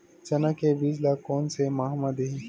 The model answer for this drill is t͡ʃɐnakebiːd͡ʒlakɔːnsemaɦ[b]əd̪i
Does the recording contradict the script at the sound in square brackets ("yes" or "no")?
yes